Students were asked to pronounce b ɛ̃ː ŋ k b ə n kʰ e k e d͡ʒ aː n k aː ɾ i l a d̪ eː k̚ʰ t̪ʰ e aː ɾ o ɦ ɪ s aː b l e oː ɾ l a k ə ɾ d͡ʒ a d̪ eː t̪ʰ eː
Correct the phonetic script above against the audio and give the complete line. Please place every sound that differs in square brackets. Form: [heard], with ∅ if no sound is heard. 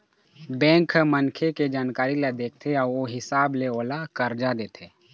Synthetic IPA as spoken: b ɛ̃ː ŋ k [m] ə n kʰ e k e d͡ʒ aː n k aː ɾ i l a d̪ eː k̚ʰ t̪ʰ e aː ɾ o ɦ ɪ s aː b l e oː [∅] l a k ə ɾ d͡ʒ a d̪ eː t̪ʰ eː